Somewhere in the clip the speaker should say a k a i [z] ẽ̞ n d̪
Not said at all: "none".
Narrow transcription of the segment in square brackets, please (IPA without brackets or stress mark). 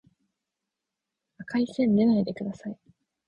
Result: s